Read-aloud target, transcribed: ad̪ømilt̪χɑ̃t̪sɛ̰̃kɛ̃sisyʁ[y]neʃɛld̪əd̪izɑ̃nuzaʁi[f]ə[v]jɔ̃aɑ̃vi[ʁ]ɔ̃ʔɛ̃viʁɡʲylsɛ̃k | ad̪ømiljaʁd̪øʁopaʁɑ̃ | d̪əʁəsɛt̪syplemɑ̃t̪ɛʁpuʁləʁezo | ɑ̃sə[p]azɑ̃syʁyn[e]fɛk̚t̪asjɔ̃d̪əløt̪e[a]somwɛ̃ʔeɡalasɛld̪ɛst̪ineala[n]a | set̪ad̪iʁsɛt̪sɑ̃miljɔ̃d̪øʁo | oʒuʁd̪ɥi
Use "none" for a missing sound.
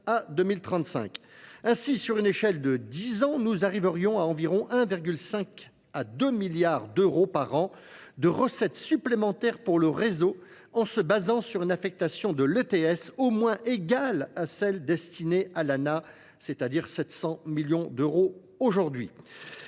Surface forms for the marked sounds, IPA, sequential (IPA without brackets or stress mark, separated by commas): y, v, ʁ, ʁ, b, a, ɛ, n